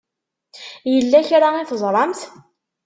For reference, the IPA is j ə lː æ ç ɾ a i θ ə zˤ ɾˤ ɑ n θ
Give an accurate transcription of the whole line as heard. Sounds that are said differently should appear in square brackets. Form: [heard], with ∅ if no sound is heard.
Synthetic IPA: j ə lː æ ç ɾ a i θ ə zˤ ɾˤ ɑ [m] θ

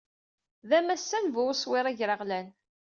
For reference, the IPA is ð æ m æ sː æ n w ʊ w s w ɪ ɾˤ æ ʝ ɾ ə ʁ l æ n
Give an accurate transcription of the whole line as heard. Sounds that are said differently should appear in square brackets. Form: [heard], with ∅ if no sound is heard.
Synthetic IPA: ð æ m æ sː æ n [v] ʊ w s w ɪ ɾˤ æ ʝ ɾ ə ʁ l æ n

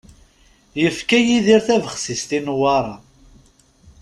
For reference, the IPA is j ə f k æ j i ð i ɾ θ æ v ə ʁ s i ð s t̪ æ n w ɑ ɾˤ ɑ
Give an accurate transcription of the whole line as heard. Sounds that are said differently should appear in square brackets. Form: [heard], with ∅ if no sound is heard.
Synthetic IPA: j ə f k æ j i ð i ɾ θ æ v ə [χ] s i [∅] s t̪ [i] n w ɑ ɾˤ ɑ

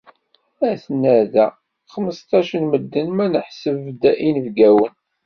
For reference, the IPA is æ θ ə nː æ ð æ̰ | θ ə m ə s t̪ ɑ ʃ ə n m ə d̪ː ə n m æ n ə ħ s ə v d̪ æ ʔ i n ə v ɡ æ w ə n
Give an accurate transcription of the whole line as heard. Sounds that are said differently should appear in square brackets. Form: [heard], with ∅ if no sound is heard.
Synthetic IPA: æ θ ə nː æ ð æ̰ | [χ] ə m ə s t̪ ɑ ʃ ə n m ə d̪ː ə n m æ n ə ħ s ə v d̪ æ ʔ i n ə v ɡ æ w ə n

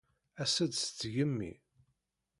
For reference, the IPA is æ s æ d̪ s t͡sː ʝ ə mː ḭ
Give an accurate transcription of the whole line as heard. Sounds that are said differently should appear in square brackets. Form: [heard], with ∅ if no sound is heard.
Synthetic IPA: æ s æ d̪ s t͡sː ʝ ə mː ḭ

